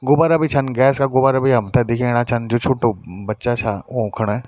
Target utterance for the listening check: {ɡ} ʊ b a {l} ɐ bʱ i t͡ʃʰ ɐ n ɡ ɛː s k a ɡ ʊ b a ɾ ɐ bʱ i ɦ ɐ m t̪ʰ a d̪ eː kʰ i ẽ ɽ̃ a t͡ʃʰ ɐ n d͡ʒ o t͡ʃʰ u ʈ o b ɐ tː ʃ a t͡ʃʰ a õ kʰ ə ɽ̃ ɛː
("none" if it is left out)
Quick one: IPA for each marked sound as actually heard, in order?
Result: ɡ, ɾ

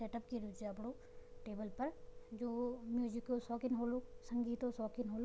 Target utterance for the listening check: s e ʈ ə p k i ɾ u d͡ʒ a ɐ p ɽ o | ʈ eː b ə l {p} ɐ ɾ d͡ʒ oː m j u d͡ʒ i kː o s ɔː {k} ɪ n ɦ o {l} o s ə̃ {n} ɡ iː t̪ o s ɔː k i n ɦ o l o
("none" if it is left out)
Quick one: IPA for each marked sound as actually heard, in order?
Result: p, k, l, ŋ

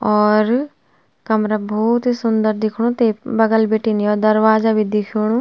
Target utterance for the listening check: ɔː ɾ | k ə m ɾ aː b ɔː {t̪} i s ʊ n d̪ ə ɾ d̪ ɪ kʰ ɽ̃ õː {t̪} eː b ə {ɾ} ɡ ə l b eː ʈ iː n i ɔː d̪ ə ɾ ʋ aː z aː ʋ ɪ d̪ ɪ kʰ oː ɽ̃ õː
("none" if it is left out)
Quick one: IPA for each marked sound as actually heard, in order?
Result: t̪, t̪, none

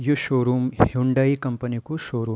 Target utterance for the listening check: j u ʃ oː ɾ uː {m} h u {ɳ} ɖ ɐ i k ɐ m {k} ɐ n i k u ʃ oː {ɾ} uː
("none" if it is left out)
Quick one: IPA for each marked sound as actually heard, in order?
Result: m, ɳ, p, ɾ

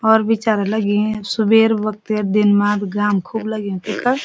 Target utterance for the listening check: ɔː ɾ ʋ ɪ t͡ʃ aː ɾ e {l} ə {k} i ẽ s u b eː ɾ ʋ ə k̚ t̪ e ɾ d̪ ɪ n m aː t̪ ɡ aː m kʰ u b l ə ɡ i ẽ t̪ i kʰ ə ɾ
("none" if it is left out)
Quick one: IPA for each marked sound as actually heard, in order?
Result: l, ɡ

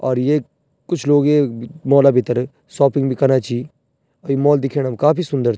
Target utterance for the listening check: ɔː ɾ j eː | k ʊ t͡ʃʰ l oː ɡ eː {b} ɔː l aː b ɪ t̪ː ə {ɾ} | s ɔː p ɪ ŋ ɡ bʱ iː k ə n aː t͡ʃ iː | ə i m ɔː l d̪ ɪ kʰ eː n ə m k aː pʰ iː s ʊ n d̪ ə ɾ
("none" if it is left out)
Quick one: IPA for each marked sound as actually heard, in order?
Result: m, ɾ

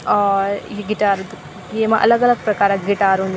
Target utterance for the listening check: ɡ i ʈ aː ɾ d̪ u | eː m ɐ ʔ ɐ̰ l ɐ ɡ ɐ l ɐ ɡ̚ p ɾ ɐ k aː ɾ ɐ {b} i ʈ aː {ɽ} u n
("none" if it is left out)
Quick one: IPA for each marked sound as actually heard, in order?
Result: ɡ, ɾ

